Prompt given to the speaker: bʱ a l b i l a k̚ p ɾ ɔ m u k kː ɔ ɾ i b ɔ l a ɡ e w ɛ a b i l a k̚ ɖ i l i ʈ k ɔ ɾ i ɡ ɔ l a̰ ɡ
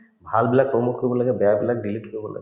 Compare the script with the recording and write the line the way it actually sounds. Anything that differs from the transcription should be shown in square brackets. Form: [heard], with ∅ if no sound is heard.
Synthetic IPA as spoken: bʱ a l b i l a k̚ p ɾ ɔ m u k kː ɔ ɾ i b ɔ l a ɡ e [b] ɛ a b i l a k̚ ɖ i l i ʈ k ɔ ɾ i [b] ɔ l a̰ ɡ

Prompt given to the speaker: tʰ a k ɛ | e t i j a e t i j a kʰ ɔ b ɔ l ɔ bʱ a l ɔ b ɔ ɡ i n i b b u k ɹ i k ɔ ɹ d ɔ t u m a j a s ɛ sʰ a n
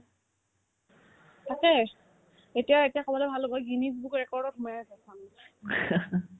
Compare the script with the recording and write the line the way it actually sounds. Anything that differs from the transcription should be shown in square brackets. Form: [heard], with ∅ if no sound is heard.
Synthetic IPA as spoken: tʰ a k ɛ | e t i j a e t i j a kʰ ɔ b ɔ l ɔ bʱ a l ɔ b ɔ ɡ i n i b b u k ɹ [ɛ] k ɔ ɹ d ɔ t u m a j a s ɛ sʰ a n

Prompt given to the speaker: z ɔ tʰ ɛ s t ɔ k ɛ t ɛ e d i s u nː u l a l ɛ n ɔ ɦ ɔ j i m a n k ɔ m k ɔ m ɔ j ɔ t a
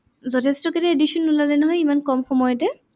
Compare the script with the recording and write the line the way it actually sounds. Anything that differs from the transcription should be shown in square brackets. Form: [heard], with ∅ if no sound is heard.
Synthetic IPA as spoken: z ɔ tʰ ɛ s t ɔ k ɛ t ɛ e d i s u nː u l a l ɛ n ɔ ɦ ɔ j i m a n k ɔ m [x] ɔ m ɔ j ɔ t [ɛ]

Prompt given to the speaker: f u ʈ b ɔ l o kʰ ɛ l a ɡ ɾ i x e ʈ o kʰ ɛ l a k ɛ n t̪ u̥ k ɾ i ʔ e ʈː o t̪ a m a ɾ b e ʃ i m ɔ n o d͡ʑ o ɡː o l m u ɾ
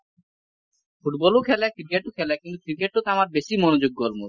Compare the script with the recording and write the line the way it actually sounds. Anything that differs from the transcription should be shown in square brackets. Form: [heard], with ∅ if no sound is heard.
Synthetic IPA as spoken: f u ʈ b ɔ l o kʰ ɛ l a [k] ɾ i [k] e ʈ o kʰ ɛ l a k [i] n t̪ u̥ k ɾ i [k] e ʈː o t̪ a m a ɾ b e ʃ i m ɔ n o d͡ʑ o ɡː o l m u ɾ

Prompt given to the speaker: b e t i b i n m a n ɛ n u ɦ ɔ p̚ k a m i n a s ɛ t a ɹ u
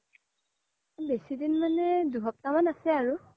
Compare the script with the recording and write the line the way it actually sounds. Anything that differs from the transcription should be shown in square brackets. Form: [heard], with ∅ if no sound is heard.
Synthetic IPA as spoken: b e [s] i [d] i n m a n ɛ [d] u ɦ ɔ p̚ [t] a m [a] n a s ɛ [∅] a ɹ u

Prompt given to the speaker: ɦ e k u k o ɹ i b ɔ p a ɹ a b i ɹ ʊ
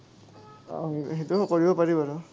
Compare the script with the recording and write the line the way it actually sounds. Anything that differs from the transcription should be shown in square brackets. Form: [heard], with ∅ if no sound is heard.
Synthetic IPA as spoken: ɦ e [t] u k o ɹ i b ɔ p a ɹ [i] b [a] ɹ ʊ

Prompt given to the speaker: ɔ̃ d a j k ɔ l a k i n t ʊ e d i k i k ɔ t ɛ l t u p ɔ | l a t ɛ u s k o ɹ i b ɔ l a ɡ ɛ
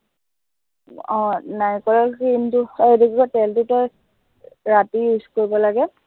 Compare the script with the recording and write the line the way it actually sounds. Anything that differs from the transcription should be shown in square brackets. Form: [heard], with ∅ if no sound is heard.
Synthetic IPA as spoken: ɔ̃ [n] a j k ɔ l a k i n t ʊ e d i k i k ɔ t ɛ l t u [t] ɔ | [ɹ] a t [i] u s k o ɹ i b ɔ l a ɡ ɛ

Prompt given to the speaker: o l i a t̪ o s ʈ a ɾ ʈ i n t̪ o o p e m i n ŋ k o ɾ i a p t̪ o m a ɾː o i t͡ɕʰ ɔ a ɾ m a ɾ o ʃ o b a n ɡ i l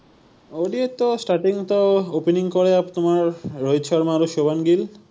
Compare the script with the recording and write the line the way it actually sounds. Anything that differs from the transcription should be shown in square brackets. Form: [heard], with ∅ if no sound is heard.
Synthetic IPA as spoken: o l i [e] t̪ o s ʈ a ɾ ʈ i [ŋ] t̪ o o p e [n] i [∅] ŋ k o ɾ [e] a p t̪ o m a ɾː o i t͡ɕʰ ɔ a ɾ m a ɾ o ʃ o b a n ɡ i l

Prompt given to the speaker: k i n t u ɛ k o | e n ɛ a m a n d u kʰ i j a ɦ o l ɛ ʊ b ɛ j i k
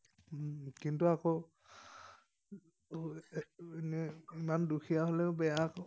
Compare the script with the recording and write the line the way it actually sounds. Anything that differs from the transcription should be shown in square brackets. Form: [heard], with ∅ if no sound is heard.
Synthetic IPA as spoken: k i n t u [a] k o | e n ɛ [i] m a n d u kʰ i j a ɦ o l ɛ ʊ b ɛ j [a] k

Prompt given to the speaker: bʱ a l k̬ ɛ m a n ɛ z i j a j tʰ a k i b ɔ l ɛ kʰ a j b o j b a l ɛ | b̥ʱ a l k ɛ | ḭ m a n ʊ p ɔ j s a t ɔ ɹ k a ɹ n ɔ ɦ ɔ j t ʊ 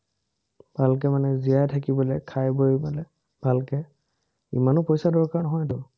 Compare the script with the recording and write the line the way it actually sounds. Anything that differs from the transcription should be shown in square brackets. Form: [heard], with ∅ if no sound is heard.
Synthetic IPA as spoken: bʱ a l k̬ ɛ m a n ɛ z i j a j tʰ a k i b ɔ l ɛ kʰ a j b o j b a l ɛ | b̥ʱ a l k ɛ | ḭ m a n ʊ p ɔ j s a [d] ɔ ɹ k a ɹ n ɔ ɦ ɔ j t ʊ

